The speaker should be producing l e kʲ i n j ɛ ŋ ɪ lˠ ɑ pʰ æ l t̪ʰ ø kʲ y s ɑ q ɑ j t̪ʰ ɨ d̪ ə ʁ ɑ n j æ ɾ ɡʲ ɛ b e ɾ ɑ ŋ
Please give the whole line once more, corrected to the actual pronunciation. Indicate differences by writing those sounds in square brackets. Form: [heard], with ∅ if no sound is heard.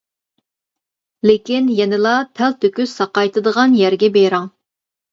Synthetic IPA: l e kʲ i n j ɛ [n] ɪ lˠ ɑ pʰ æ l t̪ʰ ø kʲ y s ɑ q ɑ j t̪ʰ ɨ d̪ ə ʁ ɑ n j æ ɾ ɡʲ ɛ b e ɾ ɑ ŋ